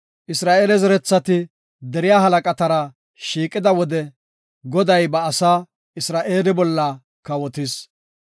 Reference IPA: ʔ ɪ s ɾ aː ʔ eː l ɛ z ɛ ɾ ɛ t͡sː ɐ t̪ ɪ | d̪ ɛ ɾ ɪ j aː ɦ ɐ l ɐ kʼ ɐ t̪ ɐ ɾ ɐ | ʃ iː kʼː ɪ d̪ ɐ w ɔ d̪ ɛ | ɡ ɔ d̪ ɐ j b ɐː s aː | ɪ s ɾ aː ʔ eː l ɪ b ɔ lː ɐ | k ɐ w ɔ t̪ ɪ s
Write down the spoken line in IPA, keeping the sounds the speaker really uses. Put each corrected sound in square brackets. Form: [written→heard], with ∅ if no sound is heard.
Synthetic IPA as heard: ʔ ɪ s ɾ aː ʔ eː l ɛ z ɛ ɾ ɛ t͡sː ɐ t̪ ɪ | d̪ ɛ ɾ ɪ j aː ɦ ɐ l ɐ kʼ ɐ t̪ ɐ ɾ ɐ | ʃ iː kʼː ɪ d̪ ɐ w ɔ d̪ ɛ | ɡ ɔ d̪ ɐ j b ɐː s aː | ɪ s ɾ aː ʔ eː l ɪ b ɔ lː ɐ | k ɐ w ɔ t̪ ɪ s